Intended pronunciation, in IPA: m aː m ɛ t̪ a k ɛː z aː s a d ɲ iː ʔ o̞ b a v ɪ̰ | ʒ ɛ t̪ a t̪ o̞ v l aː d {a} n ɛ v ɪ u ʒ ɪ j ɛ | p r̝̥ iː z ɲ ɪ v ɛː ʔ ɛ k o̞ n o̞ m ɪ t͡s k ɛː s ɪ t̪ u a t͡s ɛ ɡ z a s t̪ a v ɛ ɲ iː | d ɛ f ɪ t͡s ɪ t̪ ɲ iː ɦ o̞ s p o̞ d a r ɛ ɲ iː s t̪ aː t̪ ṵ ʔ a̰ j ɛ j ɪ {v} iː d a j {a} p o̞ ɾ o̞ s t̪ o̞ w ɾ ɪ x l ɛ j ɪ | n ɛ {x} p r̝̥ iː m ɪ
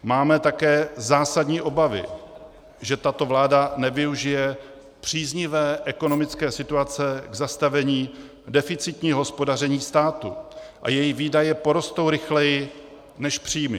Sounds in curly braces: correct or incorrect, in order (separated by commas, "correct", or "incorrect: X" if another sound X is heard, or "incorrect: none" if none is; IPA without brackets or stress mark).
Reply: correct, correct, incorrect: ɛ, incorrect: ʃ